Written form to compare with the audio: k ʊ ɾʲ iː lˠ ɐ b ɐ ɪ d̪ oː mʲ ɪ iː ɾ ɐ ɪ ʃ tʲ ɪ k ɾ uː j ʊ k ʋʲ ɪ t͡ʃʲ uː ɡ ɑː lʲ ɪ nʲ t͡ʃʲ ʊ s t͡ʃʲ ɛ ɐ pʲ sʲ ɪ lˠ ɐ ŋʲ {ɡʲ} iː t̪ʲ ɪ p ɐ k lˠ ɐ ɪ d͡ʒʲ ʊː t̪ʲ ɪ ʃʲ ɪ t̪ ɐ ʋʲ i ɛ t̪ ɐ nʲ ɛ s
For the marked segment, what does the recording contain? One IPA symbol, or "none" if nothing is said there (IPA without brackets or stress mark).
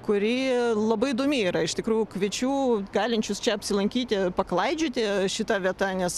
kʲ